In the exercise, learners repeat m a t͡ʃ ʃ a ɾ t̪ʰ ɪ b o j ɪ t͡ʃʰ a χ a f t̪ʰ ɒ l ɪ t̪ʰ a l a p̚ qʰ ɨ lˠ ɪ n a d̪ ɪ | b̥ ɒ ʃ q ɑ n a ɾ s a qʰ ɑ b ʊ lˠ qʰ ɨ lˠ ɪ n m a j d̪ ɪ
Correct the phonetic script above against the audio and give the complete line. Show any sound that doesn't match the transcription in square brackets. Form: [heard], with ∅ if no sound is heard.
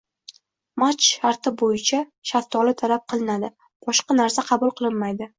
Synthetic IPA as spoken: m a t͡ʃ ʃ a ɾ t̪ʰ ɪ b o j ɪ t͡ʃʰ a [ʃ] a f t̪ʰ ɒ l ɪ t̪ʰ a l a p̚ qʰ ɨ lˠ ɪ n a d̪ ɪ | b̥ ɒ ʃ q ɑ n a ɾ s a qʰ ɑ b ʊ lˠ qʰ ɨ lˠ ɪ n m a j d̪ ɪ